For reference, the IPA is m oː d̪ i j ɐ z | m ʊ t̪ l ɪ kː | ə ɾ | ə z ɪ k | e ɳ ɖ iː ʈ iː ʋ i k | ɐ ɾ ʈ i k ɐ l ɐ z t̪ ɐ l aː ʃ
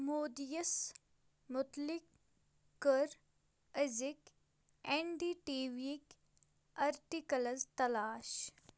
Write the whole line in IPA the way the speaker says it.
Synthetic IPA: m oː d̪ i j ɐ s | m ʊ t̪ l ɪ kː | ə ɾ | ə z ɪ k | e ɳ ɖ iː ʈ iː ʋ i k | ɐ ɾ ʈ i k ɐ l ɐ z t̪ ɐ l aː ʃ